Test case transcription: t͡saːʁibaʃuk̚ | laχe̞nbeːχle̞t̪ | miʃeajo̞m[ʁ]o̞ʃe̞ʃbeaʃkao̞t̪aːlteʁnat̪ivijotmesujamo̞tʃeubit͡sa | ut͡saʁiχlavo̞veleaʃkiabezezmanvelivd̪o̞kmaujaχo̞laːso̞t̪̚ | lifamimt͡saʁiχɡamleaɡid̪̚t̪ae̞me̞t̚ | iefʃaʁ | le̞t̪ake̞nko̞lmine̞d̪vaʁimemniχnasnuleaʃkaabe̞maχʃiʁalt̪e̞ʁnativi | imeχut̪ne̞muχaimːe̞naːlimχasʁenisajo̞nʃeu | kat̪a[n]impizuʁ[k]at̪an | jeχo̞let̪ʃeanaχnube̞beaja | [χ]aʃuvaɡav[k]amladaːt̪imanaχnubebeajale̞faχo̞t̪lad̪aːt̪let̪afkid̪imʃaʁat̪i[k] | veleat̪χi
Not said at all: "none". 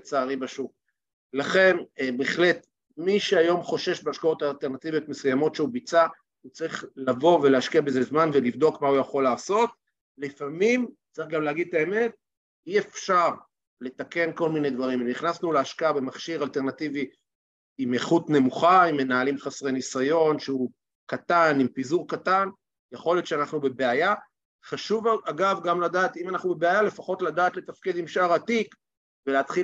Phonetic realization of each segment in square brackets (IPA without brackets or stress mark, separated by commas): χ, n, k, χ, ɡ, k